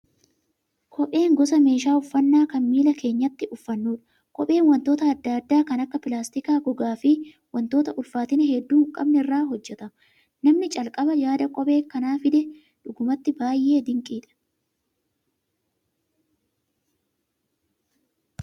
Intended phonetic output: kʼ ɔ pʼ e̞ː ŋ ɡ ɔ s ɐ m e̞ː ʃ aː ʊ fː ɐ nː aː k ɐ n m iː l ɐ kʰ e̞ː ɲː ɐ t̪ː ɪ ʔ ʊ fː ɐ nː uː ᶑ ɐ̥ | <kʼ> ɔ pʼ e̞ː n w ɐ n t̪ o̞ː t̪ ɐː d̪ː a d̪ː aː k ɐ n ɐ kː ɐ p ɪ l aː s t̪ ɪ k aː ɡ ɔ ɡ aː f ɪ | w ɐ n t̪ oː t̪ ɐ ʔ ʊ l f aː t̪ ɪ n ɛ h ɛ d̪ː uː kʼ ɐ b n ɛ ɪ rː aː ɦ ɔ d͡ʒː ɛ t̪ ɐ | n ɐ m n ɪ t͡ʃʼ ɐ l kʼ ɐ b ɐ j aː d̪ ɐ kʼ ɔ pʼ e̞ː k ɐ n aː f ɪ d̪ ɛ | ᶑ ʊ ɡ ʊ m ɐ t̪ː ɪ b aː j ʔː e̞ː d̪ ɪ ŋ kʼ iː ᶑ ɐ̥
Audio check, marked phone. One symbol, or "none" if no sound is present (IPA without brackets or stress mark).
kʼ